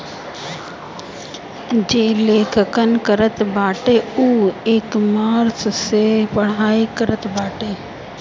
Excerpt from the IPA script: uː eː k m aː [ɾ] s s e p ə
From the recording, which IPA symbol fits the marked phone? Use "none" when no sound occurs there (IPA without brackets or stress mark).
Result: ɾ